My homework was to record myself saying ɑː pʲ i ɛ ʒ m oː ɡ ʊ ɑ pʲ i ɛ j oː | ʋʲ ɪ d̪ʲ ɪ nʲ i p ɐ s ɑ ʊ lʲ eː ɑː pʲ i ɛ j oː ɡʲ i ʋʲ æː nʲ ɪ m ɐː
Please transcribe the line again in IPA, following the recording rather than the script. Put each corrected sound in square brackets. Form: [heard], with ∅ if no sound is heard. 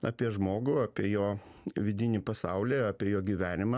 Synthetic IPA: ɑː pʲ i ɛ ʒ m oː ɡ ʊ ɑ pʲ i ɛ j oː | ʋʲ ɪ d̪ʲ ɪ nʲ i p ɐ s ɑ ʊ lʲ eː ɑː pʲ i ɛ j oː ɡʲ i ʋʲ æː nʲ ɪ m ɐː

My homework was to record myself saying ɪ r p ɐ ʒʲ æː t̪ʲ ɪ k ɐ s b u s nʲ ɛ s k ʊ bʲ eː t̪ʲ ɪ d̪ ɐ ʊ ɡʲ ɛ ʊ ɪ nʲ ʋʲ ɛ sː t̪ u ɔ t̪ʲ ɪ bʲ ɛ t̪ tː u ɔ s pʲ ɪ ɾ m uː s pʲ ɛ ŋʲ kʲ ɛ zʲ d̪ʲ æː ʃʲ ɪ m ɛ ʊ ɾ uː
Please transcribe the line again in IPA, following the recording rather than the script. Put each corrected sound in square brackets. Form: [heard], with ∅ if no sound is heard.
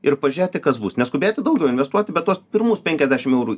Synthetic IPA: ɪ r p ɐ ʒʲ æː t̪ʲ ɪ k ɐ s b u s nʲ ɛ s k ʊ bʲ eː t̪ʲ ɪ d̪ ɐ ʊ ɡʲ ɛ ʊ ɪ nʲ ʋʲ ɛ [s] t̪ u ɔ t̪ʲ ɪ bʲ ɛ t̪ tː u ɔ s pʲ ɪ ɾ m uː s pʲ ɛ ŋʲ kʲ ɛ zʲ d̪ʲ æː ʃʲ ɪ m ɛ ʊ ɾ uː

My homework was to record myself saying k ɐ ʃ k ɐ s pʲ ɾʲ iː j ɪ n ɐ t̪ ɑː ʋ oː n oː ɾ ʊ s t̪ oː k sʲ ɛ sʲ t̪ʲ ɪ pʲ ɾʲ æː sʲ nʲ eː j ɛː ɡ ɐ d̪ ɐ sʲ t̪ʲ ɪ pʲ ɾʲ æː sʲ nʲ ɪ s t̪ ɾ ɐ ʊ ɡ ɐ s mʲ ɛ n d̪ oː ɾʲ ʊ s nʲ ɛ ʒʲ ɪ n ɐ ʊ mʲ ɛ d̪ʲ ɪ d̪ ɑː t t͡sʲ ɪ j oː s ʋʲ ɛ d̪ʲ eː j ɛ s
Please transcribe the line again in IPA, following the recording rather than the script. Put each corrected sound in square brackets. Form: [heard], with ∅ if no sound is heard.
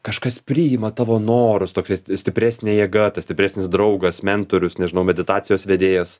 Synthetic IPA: k ɐ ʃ k ɐ s pʲ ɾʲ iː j ɪ [m] ɐ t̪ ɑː ʋ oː n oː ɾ ʊ s t̪ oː k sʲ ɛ sʲ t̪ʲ ɪ pʲ ɾʲ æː sʲ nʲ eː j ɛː ɡ ɐ [t̪] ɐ sʲ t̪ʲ ɪ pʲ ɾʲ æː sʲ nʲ ɪ s [d̪] ɾ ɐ ʊ ɡ ɐ s mʲ ɛ n [t̪] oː ɾʲ ʊ s nʲ ɛ ʒʲ ɪ n ɐ ʊ mʲ ɛ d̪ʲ ɪ [t̪] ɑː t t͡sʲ ɪ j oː s ʋʲ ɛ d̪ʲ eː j ɛ s

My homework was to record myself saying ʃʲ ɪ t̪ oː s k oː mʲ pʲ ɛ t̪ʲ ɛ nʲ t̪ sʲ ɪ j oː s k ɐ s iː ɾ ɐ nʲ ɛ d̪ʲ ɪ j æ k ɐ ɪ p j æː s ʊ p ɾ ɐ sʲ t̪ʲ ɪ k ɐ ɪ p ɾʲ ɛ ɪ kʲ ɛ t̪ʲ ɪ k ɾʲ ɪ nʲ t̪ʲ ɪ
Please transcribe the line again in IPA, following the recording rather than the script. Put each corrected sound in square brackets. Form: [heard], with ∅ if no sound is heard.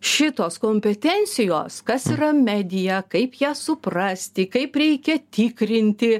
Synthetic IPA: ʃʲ ɪ t̪ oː s k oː mʲ pʲ ɛ t̪ʲ ɛ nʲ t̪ sʲ ɪ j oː s k ɐ s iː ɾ ɐ [mʲ] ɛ d̪ʲ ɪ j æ k ɐ ɪ p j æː s ʊ p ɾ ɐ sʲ t̪ʲ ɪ k ɐ ɪ p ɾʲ ɛ ɪ kʲ ɛ t̪ʲ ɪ k ɾʲ ɪ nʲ t̪ʲ ɪ

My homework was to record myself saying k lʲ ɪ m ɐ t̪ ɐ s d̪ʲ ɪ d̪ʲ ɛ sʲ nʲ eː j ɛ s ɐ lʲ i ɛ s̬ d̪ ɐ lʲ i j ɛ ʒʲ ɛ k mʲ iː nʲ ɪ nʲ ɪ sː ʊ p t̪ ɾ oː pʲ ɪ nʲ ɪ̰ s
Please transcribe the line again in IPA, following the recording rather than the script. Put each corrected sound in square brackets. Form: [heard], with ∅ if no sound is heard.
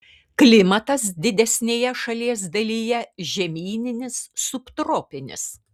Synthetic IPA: k lʲ ɪ m ɐ t̪ ɐ s d̪ʲ ɪ d̪ʲ ɛ sʲ nʲ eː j ɛ [ʃ] ɐ lʲ i ɛ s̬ d̪ ɐ lʲ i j ɛ ʒʲ ɛ [∅] mʲ iː nʲ ɪ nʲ ɪ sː ʊ p t̪ ɾ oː pʲ ɪ nʲ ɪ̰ s

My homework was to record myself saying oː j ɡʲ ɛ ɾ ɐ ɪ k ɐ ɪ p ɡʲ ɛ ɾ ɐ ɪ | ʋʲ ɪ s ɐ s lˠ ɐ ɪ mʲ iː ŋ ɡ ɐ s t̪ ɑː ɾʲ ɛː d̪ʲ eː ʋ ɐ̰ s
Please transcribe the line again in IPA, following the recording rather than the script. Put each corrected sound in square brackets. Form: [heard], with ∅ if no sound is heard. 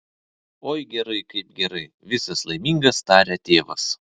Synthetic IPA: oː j ɡʲ ɛ ɾ ɐ ɪ k ɐ ɪ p ɡʲ ɛ ɾ ɐ ɪ | ʋʲ ɪ s ɐ s lˠ ɐ ɪ mʲ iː ŋ ɡ ɐ s t̪ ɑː ɾʲ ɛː [t̪ʲ] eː ʋ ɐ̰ s

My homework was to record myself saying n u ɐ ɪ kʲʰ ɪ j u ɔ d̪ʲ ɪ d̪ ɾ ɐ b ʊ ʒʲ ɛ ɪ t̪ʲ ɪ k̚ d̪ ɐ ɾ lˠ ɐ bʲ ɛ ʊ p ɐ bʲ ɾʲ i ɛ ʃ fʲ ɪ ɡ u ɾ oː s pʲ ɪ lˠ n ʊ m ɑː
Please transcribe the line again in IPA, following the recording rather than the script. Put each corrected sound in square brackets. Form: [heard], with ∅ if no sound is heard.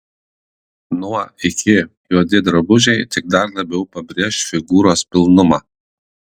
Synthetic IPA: n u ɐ ɪ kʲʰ ɪ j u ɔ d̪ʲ ɪ d̪ ɾ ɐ b ʊ ʒʲ ɛ ɪ t̪ʲ ɪ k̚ d̪ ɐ ɾ lˠ ɐ bʲ ɛ ʊ p ɐ bʲ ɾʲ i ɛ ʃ fʲ ɪ ɡ [uː] ɾ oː s pʲ ɪ lˠ n ʊ m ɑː

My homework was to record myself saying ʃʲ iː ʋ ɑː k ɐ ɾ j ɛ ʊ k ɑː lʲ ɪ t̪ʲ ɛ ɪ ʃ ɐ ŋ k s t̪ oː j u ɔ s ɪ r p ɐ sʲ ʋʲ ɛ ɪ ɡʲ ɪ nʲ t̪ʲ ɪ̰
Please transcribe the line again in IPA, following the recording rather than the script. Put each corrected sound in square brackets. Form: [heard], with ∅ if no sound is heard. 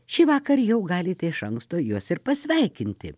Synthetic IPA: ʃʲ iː ʋ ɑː k ɐ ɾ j ɛ ʊ [ɡ] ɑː lʲ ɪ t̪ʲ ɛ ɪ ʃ ɐ ŋ k s t̪ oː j u ɔ s ɪ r p ɐ sʲ ʋʲ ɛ ɪ [kʲ] ɪ nʲ t̪ʲ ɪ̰

